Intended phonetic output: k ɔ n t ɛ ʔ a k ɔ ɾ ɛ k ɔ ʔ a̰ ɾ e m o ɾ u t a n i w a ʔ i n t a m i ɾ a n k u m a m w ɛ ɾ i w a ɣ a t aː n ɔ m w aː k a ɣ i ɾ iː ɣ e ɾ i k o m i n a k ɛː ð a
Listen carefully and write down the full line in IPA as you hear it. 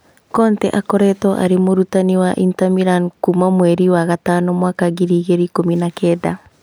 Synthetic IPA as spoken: k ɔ n t ɛ ʔ a k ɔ ɾ ɛ t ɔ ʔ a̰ ɾ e m o ɾ u t a n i w a ʔ i n t a m i ɾ a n k u m a m w ɛ ɾ i w a ɣ a t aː n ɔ m w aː k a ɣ i ɾ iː ɣ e ɾ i k o m i n a k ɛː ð a